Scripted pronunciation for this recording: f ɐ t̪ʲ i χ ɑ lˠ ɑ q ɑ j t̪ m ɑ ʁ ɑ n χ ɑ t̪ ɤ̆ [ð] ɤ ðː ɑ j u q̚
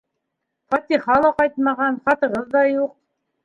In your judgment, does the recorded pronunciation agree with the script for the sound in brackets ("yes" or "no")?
no